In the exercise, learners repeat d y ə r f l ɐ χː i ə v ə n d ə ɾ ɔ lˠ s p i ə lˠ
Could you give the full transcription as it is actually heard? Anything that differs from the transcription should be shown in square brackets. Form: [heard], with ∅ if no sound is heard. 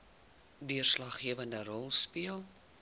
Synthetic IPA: d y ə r [s] l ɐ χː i ə v ə n d ə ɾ ɔ lˠ s p i ə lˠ